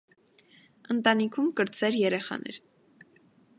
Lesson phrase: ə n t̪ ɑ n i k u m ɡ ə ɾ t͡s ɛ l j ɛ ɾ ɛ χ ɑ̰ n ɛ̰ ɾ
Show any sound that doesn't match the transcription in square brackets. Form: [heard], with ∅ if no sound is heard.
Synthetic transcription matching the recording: ə n t̪ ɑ n i [kʰ] u m [k] ə ɾ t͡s ɛ [ɾ] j ɛ ɾ ɛ χ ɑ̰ n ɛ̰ ɾ